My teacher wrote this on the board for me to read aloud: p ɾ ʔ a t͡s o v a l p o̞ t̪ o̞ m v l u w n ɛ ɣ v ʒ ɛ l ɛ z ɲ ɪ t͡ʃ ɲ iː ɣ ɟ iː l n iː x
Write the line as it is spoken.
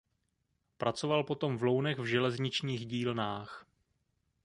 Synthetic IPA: p ɾ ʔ a t͡s o v a l p o̞ t̪ o̞ m v l o w n ɛ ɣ v ʒ ɛ l ɛ z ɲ ɪ t͡ʃ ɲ iː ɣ ɟ iː l n aː x